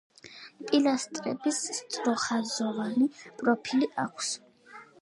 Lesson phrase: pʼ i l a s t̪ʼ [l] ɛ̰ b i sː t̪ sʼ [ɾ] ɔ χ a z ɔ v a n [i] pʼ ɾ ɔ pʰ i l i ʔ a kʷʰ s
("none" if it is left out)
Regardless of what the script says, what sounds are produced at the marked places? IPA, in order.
ɾ, ɾ, i

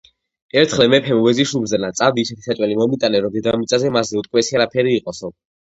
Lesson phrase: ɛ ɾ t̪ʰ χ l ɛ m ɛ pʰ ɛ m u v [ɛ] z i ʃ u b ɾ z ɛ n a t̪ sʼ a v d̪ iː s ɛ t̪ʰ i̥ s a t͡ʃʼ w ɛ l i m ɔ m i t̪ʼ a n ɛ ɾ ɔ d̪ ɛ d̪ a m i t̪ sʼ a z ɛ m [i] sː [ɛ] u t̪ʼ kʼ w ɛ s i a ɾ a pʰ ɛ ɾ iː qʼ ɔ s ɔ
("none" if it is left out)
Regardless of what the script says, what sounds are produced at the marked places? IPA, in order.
ɛ, a, ɛ

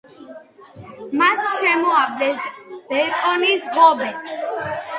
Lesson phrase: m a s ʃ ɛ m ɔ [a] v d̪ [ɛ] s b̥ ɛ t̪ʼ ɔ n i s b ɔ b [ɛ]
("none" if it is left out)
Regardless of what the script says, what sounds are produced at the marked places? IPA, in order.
a, ɛ, ɛ

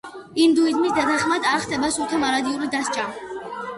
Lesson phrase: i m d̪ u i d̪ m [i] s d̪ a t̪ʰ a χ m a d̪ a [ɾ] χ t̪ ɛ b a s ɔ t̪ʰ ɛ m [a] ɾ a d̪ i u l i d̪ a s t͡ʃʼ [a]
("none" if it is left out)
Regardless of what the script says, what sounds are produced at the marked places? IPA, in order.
i, ɾ, a, a

